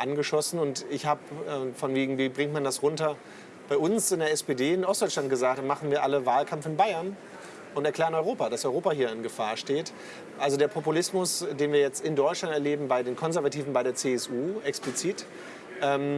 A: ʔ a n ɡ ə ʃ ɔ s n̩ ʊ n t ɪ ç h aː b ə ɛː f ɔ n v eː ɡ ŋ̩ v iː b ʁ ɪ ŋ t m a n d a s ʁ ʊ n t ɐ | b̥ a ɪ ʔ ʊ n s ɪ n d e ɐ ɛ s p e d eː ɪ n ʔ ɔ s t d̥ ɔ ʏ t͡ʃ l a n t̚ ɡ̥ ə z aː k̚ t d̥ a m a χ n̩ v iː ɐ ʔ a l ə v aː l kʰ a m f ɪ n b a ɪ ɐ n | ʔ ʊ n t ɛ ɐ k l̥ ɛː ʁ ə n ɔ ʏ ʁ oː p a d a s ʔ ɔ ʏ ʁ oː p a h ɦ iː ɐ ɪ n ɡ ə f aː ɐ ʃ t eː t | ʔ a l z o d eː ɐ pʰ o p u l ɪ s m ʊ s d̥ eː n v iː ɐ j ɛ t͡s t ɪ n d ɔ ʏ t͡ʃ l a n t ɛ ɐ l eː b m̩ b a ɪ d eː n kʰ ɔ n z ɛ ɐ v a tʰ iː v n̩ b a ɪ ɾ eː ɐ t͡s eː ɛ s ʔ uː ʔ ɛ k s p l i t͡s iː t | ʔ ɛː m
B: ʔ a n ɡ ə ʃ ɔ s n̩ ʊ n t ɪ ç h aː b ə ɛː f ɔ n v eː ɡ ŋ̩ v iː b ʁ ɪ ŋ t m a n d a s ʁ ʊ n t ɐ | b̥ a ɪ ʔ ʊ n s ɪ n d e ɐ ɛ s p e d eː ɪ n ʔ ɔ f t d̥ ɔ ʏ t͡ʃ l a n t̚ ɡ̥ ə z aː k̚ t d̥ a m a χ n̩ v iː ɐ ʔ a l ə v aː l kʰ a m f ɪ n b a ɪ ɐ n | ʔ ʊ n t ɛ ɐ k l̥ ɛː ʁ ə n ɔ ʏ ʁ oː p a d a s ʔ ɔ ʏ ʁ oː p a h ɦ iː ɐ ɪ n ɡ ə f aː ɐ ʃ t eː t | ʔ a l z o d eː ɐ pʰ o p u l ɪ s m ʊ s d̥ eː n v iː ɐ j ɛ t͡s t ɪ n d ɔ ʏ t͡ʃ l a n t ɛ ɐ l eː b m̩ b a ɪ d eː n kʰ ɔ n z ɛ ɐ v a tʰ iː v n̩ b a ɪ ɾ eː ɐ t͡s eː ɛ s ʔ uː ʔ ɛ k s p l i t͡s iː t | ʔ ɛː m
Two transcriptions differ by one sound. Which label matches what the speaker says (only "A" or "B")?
A